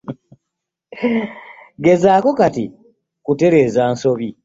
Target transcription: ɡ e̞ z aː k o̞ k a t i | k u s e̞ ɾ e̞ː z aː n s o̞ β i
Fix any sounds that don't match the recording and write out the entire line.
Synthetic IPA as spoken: ɡ e̞ z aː k o̞ k a t i | k u t e̞ ɾ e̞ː z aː n s o̞ β i